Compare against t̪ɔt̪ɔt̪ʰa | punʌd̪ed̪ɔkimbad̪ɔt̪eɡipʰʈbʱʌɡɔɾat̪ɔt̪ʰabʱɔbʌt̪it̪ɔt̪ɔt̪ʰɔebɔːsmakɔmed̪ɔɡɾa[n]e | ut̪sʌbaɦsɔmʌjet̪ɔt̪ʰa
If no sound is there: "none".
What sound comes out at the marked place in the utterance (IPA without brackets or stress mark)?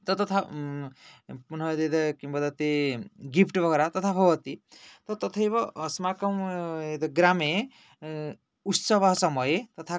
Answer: m